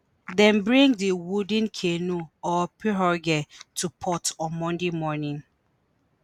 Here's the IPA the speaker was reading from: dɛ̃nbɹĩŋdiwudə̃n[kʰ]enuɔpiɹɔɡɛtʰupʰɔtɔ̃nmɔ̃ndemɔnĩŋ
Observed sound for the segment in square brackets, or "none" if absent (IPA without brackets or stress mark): kʰ